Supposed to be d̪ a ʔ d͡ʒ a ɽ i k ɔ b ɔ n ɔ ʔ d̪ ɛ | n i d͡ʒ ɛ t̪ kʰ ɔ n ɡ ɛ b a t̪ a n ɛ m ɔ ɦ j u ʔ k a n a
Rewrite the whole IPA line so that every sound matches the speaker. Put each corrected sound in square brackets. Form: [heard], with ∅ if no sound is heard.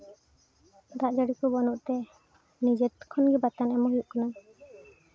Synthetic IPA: d̪ a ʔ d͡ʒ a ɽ i k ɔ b ɔ n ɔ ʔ [t̪] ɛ | n i d͡ʒ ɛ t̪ kʰ ɔ n ɡ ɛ b a t̪ a n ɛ m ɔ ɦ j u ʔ k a n a